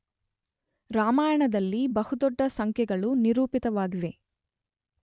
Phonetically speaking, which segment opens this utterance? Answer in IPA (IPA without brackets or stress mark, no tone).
ɾ